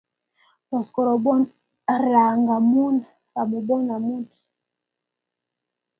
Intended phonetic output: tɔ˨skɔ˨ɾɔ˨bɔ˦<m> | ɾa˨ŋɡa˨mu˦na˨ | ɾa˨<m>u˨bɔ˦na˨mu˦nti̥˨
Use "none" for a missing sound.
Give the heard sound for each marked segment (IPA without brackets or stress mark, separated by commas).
n, m